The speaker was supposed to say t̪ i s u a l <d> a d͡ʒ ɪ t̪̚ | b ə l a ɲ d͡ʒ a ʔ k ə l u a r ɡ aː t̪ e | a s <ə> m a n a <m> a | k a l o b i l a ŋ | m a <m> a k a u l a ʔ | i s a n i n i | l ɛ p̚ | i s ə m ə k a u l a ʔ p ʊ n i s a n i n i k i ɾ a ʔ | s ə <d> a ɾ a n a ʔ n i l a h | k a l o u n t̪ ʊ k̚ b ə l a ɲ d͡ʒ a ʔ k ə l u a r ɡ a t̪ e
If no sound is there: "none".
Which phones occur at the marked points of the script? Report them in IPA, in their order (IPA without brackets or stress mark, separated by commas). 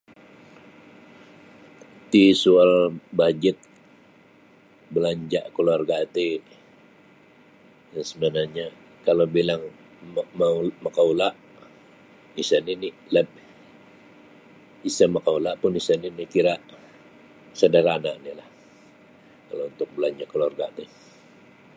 b, ə, ɲ, m, d